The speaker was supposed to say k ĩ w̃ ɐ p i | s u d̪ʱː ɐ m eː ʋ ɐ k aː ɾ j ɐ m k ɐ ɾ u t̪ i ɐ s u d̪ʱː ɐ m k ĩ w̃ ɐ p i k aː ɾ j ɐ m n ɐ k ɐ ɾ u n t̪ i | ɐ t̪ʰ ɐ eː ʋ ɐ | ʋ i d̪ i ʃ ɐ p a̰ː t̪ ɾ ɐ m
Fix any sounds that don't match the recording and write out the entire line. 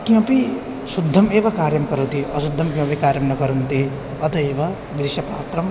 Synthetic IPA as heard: k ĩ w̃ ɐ p i | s u d̪ʱː ɐ m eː ʋ ɐ k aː ɾ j ɐ m k ɐ ɾ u t̪ i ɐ s u d̪ʱː ɐ m k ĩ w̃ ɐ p i k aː ɾ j ɐ m n ɐ k ɐ ɾ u n t̪ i | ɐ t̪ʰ ɐ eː ʋ ɐ | ʋ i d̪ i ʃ ɐ p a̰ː t̪ ɾ ɐ m